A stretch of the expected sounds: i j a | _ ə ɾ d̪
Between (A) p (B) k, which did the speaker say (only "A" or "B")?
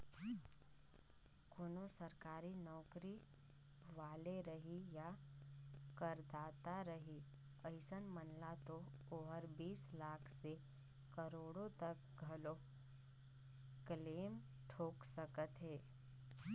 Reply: B